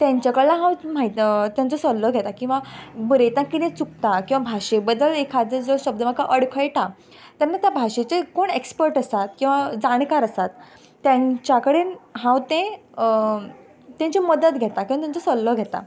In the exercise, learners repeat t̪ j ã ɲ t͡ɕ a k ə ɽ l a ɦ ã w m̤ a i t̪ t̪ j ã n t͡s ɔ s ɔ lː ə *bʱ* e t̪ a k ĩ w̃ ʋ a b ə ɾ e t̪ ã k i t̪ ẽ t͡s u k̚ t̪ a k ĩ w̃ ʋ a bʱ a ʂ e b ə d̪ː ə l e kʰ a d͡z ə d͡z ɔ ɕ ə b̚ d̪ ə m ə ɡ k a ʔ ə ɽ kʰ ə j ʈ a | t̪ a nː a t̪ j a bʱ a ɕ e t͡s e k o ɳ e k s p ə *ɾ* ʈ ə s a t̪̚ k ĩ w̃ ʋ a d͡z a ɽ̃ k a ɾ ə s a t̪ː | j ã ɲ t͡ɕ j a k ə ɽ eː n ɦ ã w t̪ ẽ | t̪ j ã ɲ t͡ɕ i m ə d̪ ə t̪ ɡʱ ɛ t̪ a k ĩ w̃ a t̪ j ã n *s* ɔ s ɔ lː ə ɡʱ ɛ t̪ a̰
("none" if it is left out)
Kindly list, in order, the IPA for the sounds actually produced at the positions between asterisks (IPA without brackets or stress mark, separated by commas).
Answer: ɡʱ, ɾ, t͡s